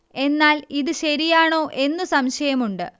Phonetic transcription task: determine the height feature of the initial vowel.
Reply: mid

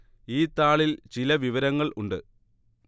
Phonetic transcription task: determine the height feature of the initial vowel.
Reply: high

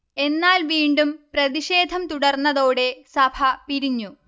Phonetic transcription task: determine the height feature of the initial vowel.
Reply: mid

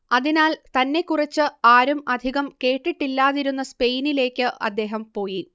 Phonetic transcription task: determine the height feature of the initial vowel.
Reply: low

